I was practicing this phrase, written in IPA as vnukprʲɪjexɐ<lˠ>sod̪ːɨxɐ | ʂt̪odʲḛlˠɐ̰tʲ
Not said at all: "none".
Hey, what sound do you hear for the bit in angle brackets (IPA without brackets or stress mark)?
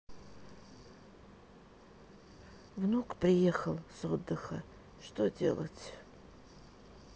lˠ